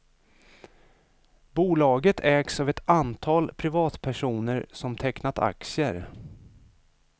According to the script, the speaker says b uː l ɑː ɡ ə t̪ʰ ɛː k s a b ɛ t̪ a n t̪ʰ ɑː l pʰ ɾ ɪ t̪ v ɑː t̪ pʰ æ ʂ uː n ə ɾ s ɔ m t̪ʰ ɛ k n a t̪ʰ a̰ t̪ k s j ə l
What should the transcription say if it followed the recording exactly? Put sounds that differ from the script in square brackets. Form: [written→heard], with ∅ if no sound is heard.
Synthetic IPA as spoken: b uː l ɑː ɡ ə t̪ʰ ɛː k s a [b→v] ɛ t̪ a n t̪ʰ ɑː l pʰ ɾ ɪ [t̪→∅] v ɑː t̪ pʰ æ ʂ uː n ə ɾ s ɔ m t̪ʰ ɛ k n a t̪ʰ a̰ [t̪→∅] k s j ə [l→ɾ]